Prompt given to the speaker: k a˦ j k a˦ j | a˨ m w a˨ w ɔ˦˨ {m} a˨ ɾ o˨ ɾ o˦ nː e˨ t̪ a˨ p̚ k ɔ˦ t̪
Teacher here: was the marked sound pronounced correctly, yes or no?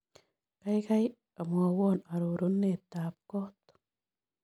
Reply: no